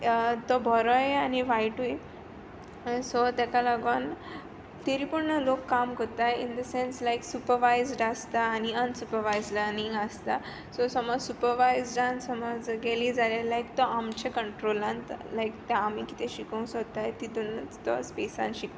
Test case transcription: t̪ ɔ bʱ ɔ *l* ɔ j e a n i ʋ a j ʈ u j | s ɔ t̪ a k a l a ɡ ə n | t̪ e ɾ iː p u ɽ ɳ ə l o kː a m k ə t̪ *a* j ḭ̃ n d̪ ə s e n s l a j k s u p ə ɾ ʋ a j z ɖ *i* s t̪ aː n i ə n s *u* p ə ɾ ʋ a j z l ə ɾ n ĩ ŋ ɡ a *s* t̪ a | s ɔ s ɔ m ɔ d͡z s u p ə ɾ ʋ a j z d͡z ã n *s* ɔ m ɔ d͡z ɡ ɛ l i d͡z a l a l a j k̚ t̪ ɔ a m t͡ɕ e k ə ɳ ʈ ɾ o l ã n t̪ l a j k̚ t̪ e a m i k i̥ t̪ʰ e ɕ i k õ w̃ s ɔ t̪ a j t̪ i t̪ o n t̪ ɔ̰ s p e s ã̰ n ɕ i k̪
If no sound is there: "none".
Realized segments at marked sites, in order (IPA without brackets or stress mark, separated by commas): ɾ, a, a, u, s, s